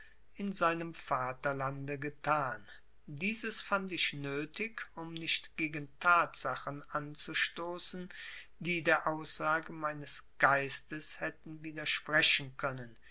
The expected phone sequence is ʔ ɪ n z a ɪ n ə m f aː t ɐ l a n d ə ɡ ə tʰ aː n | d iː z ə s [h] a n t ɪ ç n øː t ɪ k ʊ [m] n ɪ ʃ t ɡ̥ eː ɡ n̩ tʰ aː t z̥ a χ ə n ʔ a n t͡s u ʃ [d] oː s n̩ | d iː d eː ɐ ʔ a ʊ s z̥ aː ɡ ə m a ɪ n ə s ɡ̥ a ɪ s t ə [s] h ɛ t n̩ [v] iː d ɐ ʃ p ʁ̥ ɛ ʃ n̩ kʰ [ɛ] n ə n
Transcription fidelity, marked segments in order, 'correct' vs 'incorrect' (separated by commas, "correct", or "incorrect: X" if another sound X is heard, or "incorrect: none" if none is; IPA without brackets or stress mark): incorrect: f, correct, incorrect: t, correct, correct, incorrect: œ